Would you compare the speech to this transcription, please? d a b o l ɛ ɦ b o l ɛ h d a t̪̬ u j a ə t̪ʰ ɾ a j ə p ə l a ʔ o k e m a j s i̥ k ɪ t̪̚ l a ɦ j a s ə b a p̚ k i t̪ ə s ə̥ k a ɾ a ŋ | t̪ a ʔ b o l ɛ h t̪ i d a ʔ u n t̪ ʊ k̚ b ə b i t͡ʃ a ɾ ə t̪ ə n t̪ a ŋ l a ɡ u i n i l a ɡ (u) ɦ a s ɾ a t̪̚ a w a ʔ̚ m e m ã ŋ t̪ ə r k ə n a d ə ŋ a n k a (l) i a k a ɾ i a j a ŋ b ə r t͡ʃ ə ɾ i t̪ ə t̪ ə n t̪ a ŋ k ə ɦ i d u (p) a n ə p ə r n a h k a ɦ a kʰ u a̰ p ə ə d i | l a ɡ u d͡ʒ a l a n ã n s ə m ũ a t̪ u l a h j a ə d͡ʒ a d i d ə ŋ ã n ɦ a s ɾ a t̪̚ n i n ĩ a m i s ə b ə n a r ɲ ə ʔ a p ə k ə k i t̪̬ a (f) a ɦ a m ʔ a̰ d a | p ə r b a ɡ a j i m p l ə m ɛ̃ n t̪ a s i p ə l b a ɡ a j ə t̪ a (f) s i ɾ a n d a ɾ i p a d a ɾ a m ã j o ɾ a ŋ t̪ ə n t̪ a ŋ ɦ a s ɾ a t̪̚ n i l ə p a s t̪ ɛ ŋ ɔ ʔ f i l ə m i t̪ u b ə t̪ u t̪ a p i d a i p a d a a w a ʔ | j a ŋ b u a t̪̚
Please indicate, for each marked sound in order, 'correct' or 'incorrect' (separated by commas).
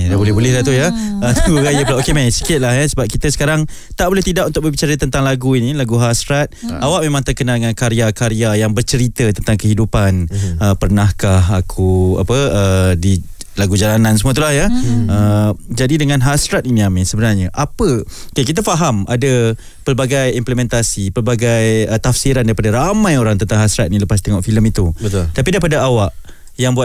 correct, incorrect, correct, correct, correct